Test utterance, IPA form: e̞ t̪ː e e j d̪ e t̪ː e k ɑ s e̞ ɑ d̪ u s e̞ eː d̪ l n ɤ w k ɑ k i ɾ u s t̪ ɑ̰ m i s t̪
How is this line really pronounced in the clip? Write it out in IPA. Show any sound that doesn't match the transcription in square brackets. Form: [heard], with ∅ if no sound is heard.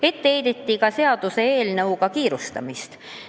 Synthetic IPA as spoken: e̞ t̪ː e e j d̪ e t̪ː [i] k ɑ s e̞ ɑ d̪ u s e̞ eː [∅] l n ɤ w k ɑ k [iː] ɾ u s t̪ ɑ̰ m i s t̪